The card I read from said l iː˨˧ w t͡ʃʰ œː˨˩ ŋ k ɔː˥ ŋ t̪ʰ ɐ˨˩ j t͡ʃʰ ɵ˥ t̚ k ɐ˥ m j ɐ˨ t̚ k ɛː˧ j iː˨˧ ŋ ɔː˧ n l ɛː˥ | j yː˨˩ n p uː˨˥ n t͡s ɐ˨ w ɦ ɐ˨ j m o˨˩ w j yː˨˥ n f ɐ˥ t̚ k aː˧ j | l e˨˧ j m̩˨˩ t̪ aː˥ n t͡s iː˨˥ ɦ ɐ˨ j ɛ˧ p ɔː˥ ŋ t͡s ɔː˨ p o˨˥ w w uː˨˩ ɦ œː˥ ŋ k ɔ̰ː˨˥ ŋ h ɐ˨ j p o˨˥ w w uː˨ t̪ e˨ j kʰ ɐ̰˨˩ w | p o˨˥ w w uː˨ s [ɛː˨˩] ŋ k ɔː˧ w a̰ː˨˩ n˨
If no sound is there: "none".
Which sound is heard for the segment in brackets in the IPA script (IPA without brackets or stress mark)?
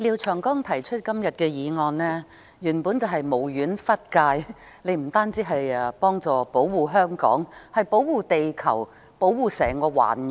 ɛː˨˩